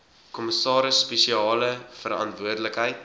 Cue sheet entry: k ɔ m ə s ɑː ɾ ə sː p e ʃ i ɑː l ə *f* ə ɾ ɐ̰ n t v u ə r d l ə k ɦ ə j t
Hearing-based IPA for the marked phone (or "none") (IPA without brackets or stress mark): f